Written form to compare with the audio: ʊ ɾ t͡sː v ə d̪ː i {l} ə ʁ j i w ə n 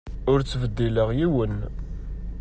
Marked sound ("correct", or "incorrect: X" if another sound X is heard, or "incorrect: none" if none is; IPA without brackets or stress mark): correct